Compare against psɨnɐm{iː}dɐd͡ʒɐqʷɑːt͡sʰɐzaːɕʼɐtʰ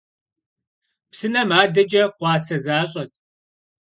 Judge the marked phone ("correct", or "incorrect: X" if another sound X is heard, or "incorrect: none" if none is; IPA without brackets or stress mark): incorrect: aː